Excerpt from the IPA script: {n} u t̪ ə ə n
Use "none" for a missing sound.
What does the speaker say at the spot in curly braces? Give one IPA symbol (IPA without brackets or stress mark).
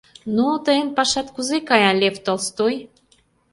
n